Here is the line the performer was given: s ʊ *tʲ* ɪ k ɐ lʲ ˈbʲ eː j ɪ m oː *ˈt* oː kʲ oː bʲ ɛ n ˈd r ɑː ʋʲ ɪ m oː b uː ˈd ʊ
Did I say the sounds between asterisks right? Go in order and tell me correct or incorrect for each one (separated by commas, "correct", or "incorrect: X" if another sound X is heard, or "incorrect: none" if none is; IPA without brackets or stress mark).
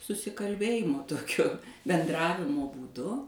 incorrect: sʲ, correct